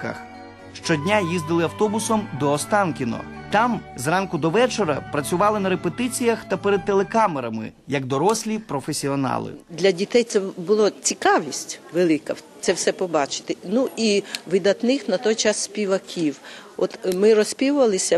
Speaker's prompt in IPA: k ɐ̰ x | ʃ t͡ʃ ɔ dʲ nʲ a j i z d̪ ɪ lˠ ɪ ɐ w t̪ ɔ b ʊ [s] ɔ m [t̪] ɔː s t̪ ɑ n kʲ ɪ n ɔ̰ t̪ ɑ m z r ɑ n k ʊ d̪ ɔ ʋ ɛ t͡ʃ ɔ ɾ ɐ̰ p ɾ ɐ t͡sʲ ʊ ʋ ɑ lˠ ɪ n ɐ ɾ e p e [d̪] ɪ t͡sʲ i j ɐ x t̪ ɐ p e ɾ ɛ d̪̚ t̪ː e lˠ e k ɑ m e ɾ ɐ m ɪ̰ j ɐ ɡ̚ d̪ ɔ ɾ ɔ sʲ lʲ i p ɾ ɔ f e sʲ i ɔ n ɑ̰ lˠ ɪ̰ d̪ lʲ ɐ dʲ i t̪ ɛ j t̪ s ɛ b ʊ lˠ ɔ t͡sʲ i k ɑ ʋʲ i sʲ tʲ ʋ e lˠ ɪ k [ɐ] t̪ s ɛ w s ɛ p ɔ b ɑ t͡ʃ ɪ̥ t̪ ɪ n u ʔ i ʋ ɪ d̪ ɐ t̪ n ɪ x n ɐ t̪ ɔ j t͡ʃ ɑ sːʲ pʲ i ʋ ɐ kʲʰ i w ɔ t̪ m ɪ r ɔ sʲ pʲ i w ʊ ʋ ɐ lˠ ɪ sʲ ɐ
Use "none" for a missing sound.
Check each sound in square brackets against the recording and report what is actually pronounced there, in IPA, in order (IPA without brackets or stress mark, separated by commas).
s, d̪, t̪, ɐ